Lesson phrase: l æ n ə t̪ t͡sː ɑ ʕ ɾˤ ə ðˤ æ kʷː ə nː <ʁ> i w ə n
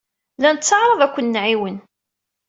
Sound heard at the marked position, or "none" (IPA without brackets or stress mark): ʕ